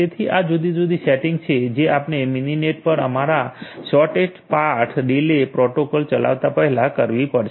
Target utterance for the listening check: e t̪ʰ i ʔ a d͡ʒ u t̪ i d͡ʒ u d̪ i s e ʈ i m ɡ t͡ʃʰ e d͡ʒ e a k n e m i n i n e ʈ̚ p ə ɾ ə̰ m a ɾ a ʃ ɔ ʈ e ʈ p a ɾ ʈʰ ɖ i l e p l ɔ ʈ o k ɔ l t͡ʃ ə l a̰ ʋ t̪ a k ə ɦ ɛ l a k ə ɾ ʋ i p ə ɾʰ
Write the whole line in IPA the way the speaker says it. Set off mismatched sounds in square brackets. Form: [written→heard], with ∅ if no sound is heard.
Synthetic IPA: e t̪ʰ i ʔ a d͡ʒ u [t̪→d̪] i d͡ʒ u d̪ i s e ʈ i [m→ŋ] ɡ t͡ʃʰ e d͡ʒ e a [k→p] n e m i n i n e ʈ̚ p ə ɾ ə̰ m a ɾ a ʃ ɔ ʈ e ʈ p a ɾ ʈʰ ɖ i l e p [l→ɾ] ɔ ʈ o k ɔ l t͡ʃ ə l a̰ ʋ t̪ a [k→p] ə ɦ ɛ l a k ə ɾ ʋ i p ə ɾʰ